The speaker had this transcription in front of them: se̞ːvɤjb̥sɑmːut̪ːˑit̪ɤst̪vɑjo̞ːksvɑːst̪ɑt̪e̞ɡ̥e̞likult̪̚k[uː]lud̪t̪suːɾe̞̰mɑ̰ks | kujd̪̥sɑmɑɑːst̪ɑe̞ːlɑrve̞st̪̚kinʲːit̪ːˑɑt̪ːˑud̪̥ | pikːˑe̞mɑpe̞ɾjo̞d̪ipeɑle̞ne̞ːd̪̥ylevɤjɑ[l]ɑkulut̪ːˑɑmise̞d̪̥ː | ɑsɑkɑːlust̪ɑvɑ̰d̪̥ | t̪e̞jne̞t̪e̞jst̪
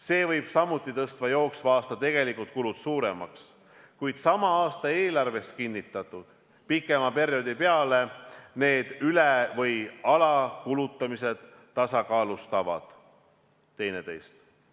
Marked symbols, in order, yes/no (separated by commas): no, yes